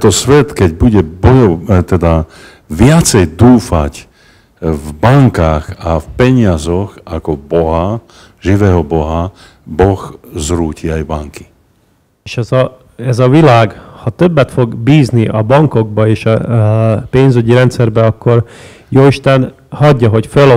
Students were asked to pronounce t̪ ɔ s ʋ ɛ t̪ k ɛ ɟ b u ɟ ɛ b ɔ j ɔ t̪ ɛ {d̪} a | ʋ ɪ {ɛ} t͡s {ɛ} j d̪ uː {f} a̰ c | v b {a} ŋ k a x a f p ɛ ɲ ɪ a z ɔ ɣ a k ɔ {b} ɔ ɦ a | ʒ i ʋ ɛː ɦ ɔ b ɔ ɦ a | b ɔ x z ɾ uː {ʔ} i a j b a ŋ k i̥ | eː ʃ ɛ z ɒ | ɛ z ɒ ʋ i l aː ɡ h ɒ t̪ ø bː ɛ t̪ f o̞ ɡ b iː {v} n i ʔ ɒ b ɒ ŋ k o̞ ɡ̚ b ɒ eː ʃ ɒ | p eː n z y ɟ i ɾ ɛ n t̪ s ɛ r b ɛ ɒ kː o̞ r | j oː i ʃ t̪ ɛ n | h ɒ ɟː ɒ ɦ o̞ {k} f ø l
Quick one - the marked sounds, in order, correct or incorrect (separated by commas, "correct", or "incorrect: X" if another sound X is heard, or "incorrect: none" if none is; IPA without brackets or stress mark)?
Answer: correct, incorrect: a, correct, correct, correct, correct, incorrect: c, incorrect: z, incorrect: c